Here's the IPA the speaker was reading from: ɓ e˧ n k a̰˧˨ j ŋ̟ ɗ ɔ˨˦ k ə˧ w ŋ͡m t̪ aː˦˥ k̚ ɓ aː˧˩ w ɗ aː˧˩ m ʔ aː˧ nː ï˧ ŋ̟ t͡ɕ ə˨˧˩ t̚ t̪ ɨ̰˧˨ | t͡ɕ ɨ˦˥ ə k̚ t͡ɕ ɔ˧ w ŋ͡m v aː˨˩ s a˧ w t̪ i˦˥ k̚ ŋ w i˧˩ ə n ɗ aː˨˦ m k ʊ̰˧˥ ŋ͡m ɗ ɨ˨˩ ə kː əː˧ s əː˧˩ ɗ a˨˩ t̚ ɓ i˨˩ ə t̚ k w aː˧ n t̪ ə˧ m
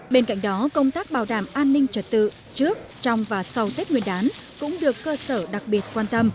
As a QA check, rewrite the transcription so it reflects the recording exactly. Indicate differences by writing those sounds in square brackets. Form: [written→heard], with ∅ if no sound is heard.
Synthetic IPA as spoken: ɓ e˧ n k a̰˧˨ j ŋ̟ ɗ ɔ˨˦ k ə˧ w ŋ͡m t̪ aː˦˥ k̚ ɓ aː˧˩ w ɗ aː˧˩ m ʔ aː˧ nː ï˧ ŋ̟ t͡ɕ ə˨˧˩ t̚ t̪ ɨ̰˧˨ | t͡ɕ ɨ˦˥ ə k̚ t͡ɕ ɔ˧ w ŋ͡m v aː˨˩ s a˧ w t̪ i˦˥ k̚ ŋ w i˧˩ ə n ɗ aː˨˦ [m→n] k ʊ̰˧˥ ŋ͡m ɗ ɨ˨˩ ə kː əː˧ s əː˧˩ ɗ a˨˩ [t̚→k̚] ɓ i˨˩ ə t̚ k w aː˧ n t̪ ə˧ m

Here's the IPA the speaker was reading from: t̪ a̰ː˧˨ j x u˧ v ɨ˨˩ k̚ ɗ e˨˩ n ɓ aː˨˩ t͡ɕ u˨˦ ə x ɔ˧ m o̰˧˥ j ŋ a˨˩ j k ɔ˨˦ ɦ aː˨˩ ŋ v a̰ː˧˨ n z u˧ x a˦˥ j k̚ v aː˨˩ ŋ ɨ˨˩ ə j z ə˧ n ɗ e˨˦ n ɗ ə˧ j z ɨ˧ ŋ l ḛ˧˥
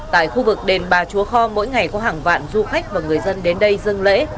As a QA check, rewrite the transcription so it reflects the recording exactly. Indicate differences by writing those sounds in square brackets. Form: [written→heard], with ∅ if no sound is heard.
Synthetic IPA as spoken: t̪ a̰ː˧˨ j x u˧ v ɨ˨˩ k̚ ɗ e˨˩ n ɓ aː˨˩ t͡ɕ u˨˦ ə x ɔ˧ m o̰˧˥ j ŋ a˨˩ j k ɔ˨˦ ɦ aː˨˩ ŋ v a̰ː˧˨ n z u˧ x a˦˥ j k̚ v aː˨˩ ŋ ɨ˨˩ ə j z ə˧ n ɗ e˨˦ n ɗ ə˧ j z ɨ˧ ŋ l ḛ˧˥

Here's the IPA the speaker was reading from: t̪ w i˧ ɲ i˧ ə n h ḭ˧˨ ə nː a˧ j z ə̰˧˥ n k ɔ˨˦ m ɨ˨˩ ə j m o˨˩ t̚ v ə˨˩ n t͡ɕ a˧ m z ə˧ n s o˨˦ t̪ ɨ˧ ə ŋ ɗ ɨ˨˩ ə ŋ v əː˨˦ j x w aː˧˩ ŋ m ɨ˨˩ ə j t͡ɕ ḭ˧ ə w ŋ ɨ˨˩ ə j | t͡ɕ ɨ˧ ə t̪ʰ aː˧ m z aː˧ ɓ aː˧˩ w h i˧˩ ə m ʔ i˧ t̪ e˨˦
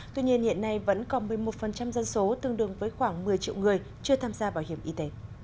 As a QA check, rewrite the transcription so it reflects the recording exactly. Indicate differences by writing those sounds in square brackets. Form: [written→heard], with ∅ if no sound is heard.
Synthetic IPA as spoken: t̪ w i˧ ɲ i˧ ə n h ḭ˧˨ ə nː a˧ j [z→v] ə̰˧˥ n k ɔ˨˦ m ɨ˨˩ ə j m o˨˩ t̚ [v→f] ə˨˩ n t͡ɕ a˧ m z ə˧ n s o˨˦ t̪ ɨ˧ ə ŋ ɗ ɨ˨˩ ə ŋ v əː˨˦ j x w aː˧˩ ŋ m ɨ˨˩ ə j t͡ɕ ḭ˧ ə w ŋ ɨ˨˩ ə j | t͡ɕ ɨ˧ ə t̪ʰ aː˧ m z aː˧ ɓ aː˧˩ w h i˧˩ ə m ʔ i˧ t̪ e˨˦

